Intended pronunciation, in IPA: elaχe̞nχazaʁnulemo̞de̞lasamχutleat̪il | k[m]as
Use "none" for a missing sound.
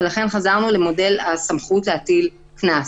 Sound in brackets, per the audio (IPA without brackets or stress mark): n